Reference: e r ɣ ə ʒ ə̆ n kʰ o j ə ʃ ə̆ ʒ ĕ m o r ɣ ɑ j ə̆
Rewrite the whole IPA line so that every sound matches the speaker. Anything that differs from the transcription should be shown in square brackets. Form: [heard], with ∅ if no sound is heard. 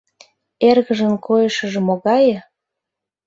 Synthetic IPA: e r ɣ ə ʒ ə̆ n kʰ o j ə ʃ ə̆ ʒ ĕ m o [∅] ɣ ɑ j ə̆